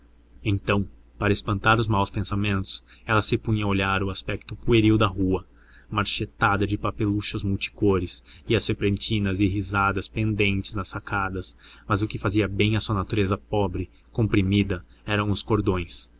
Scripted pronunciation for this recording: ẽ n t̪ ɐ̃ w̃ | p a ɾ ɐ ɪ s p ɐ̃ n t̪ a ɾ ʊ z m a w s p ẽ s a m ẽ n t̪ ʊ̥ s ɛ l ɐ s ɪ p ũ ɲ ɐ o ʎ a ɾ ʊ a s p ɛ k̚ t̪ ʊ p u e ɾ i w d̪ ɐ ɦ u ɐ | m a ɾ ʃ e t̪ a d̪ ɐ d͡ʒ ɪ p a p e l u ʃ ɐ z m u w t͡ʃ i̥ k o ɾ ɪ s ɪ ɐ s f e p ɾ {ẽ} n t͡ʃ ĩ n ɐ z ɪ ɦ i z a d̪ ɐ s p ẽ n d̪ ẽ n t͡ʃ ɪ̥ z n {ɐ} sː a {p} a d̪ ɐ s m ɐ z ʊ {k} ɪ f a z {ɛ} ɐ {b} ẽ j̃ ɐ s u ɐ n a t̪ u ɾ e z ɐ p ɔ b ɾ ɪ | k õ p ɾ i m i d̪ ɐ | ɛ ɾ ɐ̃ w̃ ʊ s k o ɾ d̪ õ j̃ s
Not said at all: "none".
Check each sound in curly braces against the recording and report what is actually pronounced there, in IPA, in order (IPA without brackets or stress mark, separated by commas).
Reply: ẽ, ɐ, k, k, i, b